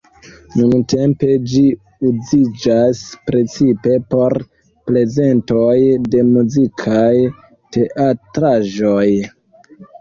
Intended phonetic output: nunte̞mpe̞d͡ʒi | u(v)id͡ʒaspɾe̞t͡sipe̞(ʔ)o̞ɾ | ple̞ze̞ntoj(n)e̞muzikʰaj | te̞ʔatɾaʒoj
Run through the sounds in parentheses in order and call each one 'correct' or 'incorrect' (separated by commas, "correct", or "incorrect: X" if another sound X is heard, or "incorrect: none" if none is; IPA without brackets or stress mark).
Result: incorrect: z, incorrect: p, incorrect: d